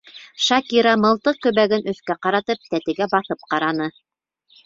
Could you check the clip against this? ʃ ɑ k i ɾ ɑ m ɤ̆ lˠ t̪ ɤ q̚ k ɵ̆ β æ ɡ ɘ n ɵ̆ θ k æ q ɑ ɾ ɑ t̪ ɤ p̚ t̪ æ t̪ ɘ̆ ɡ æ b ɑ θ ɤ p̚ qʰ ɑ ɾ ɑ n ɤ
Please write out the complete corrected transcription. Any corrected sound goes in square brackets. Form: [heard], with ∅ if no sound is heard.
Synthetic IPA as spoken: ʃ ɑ k i ɾ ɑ m ɤ̆ lˠ t̪ ɤ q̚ k ɵ̆ β æ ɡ ɘ n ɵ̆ θ k æ q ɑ ɾ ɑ t̪ ɤ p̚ t̪ æ t̪ ɘ̆ ɡ æ b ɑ θ ɤ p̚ [q] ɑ ɾ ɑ n ɤ